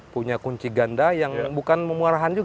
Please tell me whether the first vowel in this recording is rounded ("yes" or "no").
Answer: yes